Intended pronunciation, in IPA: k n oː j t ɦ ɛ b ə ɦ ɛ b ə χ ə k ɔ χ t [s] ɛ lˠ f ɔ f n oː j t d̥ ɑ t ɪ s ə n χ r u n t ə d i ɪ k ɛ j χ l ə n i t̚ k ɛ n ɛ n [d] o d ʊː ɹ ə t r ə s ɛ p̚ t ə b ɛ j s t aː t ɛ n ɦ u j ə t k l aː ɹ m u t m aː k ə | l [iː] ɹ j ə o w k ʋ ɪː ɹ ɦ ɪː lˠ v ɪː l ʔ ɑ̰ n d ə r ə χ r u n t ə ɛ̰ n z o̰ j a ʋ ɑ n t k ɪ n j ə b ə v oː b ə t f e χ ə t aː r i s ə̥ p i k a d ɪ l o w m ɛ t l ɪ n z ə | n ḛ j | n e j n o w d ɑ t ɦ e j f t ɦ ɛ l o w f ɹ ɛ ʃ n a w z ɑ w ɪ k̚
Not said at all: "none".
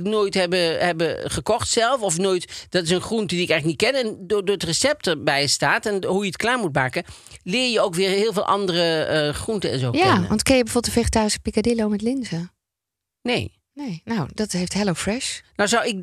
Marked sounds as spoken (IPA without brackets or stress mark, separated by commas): s, d, ɪː